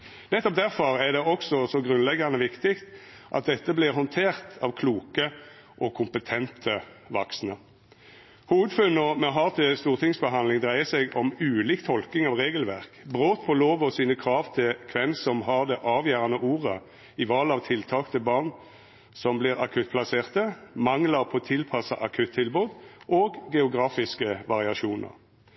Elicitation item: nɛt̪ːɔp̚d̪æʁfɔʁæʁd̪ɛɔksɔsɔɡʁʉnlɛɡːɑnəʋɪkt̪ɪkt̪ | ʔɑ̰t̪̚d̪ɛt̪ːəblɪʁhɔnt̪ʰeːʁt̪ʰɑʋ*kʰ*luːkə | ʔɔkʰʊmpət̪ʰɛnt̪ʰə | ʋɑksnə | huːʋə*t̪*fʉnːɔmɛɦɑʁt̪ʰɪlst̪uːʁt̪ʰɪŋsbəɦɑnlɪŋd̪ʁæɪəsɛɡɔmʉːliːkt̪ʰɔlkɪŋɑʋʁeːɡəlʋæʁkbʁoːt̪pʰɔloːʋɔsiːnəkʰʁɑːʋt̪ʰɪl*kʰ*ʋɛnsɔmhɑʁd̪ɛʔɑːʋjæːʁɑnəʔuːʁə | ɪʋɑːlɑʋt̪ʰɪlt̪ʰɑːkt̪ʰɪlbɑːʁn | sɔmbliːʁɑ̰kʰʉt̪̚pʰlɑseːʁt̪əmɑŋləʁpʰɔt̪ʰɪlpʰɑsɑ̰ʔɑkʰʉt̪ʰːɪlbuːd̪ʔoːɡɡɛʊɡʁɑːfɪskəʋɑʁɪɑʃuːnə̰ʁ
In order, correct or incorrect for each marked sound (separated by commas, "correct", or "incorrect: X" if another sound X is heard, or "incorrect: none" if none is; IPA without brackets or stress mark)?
correct, incorrect: d̪, correct